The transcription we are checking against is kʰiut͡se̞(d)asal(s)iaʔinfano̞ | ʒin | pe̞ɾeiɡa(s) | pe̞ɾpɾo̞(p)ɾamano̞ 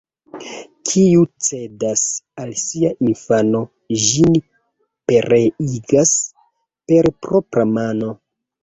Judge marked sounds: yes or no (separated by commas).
yes, yes, yes, yes